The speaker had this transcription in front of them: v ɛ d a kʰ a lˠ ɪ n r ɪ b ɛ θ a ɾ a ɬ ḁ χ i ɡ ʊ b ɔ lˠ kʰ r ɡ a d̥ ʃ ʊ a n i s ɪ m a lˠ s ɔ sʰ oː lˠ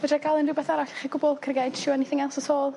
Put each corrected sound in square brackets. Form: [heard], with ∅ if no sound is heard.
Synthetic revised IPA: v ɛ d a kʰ a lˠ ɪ n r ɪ b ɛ θ a ɾ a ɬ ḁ χ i ɡ ʊ b ɔ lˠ kʰ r ɡ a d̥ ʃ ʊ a n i [θ] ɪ [ŋ] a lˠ s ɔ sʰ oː lˠ